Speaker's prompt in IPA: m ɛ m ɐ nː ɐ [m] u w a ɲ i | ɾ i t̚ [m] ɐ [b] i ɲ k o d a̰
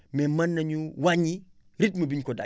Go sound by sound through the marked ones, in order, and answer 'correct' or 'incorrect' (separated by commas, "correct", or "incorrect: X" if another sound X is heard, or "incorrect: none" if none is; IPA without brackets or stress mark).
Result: incorrect: ɲ, correct, correct